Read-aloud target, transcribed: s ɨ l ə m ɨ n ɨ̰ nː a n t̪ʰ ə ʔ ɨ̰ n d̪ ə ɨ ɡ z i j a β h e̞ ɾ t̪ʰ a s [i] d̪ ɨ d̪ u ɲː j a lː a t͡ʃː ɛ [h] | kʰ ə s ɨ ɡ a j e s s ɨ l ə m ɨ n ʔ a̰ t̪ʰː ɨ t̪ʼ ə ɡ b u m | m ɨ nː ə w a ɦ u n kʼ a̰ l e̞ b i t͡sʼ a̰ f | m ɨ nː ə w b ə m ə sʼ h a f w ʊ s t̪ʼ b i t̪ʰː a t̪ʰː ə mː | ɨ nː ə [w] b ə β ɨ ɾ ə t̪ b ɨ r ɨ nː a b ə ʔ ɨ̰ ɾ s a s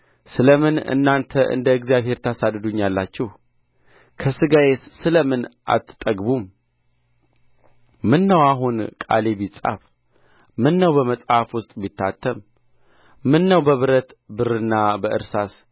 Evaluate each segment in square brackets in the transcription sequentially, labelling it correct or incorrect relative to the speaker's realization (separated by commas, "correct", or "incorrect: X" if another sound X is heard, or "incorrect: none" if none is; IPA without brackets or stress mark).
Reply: incorrect: a, correct, correct